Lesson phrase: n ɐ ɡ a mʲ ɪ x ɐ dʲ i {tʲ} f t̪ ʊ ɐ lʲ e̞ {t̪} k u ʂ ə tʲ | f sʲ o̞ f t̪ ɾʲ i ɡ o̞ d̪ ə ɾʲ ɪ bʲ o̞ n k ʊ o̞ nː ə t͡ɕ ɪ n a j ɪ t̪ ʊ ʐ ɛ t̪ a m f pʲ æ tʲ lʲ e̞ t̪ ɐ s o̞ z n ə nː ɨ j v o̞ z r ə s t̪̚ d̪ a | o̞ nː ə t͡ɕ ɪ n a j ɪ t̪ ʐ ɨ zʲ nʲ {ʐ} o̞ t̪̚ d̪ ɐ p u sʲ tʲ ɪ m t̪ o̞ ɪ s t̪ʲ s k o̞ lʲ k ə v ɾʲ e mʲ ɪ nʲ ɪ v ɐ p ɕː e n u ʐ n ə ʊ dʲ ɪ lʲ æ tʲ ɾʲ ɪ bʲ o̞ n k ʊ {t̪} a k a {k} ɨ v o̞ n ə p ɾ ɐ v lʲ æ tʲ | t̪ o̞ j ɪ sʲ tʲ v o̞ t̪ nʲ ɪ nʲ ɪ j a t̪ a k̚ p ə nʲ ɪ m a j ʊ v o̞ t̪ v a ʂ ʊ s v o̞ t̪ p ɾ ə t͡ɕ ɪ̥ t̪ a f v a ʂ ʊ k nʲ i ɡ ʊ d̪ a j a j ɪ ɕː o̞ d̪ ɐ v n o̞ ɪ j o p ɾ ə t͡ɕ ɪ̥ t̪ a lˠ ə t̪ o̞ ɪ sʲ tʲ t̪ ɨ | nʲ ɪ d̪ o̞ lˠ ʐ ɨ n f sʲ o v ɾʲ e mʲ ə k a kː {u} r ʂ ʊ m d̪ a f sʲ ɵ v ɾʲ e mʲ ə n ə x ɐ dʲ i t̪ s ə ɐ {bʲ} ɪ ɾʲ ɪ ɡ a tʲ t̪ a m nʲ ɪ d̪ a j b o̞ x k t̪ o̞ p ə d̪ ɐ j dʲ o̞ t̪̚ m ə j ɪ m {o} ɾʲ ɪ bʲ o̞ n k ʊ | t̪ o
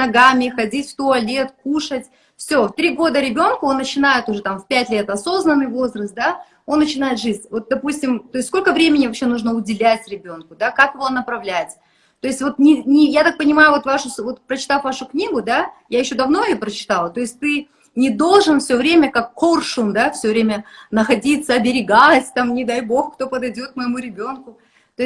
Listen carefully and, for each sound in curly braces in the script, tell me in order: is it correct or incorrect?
correct, correct, incorrect: v, incorrect: d̪, correct, incorrect: o, correct, incorrect: u

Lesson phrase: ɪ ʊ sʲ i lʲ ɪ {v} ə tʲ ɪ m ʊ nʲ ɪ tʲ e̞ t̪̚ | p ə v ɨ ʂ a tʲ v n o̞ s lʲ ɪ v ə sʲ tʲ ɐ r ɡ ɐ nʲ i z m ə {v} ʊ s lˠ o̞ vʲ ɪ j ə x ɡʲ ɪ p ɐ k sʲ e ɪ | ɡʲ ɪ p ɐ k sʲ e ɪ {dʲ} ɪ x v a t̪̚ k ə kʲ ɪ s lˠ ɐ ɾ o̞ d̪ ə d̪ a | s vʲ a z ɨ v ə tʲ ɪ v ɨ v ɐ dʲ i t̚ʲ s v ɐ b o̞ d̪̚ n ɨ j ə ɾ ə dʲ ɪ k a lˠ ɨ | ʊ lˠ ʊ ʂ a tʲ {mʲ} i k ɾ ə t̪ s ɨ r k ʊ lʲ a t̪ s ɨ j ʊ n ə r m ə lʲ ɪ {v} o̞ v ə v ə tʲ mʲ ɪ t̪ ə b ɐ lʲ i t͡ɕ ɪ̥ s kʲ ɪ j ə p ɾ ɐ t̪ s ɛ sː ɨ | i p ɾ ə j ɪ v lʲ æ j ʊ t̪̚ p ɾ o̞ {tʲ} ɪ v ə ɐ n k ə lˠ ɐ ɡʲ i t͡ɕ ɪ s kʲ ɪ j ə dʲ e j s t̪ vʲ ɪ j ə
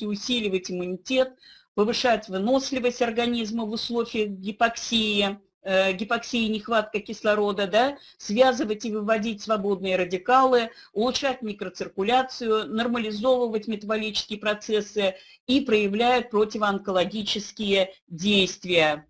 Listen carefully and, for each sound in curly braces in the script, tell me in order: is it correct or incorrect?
correct, correct, incorrect: nʲ, correct, incorrect: z, correct

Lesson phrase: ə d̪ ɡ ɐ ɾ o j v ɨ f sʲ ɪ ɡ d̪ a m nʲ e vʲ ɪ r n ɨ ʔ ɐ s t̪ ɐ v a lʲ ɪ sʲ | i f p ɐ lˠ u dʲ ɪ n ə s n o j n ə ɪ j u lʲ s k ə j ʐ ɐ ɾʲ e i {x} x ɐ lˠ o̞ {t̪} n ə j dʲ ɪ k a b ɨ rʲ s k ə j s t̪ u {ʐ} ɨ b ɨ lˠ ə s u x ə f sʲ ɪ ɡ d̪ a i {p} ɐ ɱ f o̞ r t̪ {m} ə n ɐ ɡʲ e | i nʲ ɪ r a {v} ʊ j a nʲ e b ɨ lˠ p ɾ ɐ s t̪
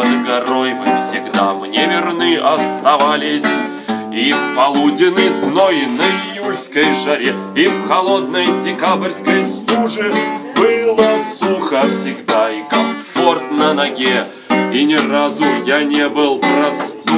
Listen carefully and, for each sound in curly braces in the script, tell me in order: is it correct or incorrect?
incorrect: f, incorrect: d̪, correct, incorrect: k, incorrect: n, incorrect: z

